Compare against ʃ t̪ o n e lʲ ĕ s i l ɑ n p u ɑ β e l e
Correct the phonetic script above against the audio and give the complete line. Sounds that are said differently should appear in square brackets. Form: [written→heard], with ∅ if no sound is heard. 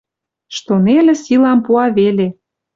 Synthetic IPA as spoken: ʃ t̪ o n e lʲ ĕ s i l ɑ [n→m] p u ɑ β e l e